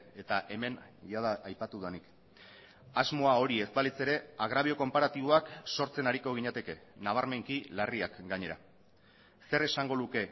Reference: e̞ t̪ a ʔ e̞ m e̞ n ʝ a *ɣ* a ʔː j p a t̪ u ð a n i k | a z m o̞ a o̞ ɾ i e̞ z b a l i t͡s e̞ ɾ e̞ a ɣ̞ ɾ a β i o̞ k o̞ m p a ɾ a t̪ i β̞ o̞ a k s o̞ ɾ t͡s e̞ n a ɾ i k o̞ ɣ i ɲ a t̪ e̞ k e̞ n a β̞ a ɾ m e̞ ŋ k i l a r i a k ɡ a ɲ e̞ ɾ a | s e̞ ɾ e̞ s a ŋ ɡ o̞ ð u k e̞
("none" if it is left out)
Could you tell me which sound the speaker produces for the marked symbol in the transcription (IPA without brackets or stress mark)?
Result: ð